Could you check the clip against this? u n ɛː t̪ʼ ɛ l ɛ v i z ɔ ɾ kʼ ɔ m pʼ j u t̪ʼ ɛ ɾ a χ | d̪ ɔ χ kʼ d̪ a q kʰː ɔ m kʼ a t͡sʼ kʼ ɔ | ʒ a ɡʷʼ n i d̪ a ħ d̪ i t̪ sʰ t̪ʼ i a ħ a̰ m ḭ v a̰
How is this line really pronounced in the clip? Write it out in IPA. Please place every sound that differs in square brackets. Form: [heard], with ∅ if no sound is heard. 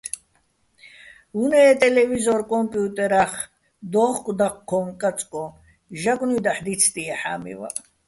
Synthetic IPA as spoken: u n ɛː t̪ʼ ɛ l ɛ v i z ɔ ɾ kʼ ɔ m pʼ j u t̪ʼ ɛ ɾ a χ | d̪ ɔ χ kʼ d̪ a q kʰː ɔ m kʼ a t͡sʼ kʼ ɔ | ʒ a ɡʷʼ n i d̪ a ħ d̪ i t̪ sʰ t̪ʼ i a ħ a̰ m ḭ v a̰